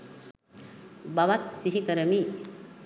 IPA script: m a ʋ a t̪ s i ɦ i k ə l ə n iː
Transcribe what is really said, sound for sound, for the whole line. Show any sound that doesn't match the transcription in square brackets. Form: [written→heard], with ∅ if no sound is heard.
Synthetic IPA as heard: [m→b] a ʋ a t̪ s i ɦ i k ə [l→ɾ] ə [n→m] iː